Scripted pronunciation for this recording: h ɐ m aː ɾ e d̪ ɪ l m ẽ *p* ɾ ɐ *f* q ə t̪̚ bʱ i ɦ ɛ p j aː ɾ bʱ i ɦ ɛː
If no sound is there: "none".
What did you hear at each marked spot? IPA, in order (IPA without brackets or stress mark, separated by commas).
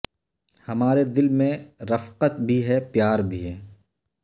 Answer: none, f